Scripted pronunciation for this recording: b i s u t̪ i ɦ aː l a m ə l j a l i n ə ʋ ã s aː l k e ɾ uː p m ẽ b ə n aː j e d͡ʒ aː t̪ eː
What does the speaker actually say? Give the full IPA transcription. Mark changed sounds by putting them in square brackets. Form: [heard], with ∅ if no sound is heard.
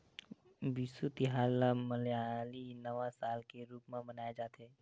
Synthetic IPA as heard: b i s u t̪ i ɦ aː l a m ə l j a l i n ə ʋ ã s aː l k e ɾ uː p m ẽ b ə n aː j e d͡ʒ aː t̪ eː

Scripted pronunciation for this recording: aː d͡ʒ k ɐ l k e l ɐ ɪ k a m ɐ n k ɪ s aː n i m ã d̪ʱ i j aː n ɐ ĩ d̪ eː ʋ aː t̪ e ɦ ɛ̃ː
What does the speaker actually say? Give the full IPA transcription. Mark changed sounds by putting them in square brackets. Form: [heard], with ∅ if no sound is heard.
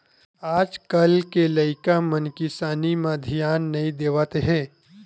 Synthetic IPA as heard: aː d͡ʒ k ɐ l k e l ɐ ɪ k a m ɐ n k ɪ s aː n i m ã d̪ʱ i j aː [nː] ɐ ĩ d̪ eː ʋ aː t̪ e ɦ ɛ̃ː

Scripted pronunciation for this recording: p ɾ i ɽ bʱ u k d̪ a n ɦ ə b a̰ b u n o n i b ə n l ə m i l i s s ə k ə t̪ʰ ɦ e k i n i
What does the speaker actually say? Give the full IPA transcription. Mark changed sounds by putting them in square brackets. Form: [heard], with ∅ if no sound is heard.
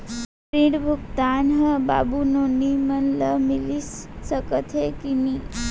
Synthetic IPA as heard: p ɾ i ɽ bʱ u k [t̪] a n ɦ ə b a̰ b u n o n i [m] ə n l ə m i l i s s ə k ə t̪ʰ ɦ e k i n i

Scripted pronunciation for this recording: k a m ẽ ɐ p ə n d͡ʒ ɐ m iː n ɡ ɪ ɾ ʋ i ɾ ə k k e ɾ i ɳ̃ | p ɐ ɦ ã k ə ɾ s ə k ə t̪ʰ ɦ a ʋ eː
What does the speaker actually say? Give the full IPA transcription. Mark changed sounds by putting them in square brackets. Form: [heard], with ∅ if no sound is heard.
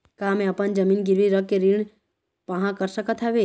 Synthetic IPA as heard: k a m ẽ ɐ p ə n d͡ʒ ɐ m iː n ɡ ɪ ɾ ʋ i ɾ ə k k e ɾ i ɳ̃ | p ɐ ɦ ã k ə ɾ s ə k ə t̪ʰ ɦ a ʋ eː

